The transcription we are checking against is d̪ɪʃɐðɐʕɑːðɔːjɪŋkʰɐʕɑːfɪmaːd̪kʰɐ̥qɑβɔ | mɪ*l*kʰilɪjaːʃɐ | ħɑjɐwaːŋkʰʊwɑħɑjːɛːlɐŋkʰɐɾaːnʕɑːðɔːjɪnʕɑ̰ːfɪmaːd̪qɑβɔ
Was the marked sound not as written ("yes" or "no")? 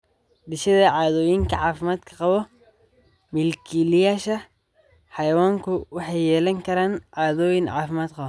no